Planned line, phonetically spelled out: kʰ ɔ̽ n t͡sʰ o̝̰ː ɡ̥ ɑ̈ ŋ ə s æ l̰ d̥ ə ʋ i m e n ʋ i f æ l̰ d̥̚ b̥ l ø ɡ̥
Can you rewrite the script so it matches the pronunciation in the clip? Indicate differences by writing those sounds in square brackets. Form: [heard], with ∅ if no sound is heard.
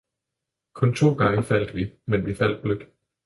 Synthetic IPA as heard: kʰ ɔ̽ n t͡sʰ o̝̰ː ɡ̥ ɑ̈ ŋ ə [f] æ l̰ d̥ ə ʋ i m e n ʋ i f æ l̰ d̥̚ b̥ l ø ɡ̥